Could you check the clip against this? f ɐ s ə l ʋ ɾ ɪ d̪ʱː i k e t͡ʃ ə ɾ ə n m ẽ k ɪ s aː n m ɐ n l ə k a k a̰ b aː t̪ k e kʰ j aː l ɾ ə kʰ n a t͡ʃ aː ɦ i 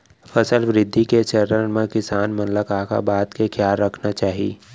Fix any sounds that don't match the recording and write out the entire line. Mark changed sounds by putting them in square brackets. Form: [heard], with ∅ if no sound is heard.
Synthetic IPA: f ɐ s ə l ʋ ɾ ɪ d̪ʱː i k e t͡ʃ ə ɾ ə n m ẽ k ɪ s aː n m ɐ n l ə k a k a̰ b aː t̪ k e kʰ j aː l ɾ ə kʰ n a t͡ʃ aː ɦ i